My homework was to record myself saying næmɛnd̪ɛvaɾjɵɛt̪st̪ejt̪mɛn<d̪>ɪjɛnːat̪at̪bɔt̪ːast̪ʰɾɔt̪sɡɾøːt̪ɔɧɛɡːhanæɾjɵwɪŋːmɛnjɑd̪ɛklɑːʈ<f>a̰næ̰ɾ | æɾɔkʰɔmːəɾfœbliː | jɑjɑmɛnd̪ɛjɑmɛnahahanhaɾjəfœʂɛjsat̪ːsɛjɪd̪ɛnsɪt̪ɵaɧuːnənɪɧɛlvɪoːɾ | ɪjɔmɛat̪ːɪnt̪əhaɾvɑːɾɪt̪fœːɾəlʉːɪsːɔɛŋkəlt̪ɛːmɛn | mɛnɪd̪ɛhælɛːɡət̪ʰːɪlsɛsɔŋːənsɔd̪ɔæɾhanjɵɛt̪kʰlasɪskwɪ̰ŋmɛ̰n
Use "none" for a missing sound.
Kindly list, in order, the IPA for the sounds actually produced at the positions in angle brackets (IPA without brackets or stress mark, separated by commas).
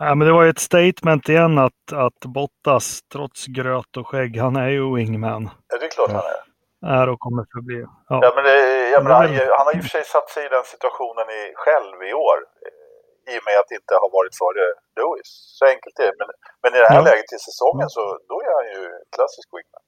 t̪, h